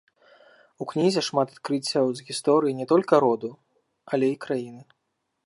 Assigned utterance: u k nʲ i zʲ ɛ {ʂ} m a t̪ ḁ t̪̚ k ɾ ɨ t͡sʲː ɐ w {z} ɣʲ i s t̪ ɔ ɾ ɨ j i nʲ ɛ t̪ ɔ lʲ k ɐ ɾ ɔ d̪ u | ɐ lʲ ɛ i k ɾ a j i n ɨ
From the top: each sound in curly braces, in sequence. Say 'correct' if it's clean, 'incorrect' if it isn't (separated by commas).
correct, correct